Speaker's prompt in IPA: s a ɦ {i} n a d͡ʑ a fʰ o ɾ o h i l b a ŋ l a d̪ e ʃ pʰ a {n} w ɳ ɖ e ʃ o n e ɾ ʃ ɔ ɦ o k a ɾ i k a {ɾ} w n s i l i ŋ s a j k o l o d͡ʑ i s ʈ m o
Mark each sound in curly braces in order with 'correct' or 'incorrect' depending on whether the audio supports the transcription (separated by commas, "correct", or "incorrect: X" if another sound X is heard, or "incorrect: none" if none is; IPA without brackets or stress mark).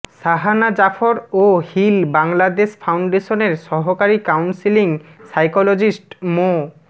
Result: incorrect: a, incorrect: none, incorrect: none